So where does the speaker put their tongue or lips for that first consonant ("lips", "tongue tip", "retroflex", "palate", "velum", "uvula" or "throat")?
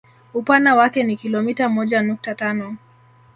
lips